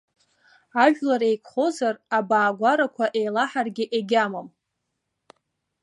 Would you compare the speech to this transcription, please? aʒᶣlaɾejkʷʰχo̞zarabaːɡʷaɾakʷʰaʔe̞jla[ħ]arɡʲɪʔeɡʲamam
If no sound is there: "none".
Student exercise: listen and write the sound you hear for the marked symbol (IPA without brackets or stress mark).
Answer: ħ